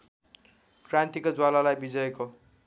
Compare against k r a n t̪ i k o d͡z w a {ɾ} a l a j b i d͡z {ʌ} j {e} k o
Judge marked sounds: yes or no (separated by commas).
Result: no, yes, yes